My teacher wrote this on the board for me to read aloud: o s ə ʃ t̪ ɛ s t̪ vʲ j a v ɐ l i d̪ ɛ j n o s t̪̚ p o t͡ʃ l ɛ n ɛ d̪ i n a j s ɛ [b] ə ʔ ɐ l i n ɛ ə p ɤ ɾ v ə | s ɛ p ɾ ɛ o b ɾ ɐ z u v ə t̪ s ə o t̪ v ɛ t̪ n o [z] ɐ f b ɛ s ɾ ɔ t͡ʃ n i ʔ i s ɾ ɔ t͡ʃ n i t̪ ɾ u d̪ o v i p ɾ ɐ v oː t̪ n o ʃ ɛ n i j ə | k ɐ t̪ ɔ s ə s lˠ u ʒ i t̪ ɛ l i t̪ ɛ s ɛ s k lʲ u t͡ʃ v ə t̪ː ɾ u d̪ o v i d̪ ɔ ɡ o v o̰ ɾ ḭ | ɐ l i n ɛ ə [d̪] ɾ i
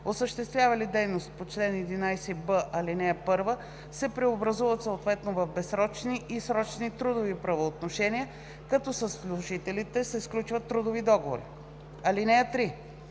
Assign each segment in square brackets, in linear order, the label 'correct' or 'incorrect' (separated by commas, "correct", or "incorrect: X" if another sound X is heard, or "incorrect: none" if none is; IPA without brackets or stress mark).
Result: correct, incorrect: v, incorrect: t̪